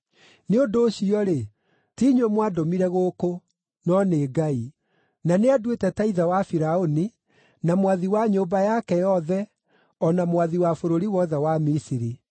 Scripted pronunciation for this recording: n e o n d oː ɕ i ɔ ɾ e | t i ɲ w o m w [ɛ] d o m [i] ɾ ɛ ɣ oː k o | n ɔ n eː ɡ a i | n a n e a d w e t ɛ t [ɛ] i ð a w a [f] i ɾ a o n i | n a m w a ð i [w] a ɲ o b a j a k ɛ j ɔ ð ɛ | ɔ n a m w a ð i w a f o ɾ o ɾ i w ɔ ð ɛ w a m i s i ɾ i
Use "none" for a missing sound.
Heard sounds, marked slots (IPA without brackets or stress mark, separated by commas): a, i, a, f, w